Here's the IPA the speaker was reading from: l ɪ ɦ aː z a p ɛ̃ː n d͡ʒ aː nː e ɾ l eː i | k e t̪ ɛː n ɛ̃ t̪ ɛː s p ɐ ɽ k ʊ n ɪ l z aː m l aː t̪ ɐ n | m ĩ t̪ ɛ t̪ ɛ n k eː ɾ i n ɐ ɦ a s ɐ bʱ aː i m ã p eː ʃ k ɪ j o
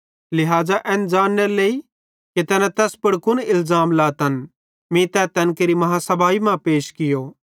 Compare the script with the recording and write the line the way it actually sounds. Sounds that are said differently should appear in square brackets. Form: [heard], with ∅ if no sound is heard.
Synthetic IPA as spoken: l ɪ ɦ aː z a [ʔ] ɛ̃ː n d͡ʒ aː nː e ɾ l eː i | k e t̪ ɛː n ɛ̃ t̪ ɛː s p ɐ ɽ k ʊ n ɪ l z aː m l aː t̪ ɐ n | m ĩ t̪ ɛ t̪ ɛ n k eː ɾ i [m] ɐ ɦ a s ɐ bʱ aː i m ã p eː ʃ k ɪ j o